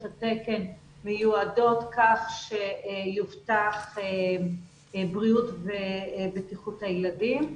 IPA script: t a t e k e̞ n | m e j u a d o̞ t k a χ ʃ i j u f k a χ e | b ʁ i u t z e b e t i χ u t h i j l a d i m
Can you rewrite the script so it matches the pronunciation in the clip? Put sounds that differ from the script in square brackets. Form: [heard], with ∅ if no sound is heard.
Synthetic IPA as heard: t a t e k e̞ n | m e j u a d o̞ t k a χ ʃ [e] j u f [t] a χ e | b ʁ i u t [v] e b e t i χ u t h [a] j l a d i m